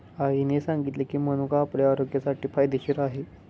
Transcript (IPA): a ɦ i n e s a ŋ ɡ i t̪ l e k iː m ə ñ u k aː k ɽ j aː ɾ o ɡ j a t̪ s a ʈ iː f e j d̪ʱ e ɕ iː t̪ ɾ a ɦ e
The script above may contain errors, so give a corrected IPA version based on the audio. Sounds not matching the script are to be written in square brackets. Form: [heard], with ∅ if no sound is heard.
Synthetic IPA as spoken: a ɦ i n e s a ŋ ɡ i t̪ l e k iː m ə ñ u k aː [p] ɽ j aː ɾ o ɡ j a [∅] s a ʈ iː f [a] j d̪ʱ e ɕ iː [∅] ɾ a ɦ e